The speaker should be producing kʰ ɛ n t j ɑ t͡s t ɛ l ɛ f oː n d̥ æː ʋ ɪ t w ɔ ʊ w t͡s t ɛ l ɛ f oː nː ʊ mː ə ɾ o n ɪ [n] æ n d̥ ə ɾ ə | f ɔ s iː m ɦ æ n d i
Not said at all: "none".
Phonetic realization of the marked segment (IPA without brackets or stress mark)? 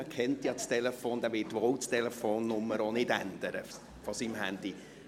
d